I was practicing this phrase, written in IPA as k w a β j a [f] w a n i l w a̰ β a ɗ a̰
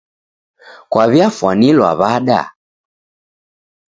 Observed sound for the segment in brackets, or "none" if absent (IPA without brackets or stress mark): f